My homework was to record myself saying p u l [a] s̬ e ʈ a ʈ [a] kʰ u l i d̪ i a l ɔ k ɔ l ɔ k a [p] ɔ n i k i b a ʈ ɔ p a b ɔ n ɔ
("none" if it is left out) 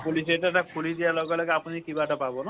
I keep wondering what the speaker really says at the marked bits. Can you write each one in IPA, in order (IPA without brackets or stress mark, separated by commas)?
i, a, p